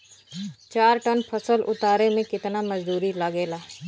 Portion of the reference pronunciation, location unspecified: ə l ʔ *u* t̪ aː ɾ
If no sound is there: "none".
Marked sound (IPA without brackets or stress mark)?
ʊ